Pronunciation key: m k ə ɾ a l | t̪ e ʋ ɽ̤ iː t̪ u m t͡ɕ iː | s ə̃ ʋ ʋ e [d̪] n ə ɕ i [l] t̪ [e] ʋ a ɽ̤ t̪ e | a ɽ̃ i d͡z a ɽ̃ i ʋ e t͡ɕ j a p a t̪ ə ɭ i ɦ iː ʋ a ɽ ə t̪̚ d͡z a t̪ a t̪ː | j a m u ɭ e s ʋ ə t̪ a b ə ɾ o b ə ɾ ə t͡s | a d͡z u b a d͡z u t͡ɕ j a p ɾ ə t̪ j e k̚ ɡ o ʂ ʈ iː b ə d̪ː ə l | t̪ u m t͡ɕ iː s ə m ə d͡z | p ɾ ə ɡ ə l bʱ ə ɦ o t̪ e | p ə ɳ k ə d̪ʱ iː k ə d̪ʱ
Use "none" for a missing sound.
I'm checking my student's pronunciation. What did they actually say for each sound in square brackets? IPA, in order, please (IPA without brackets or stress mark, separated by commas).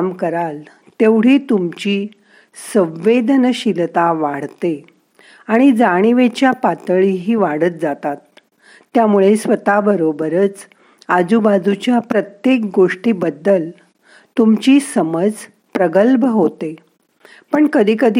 d̪, l, a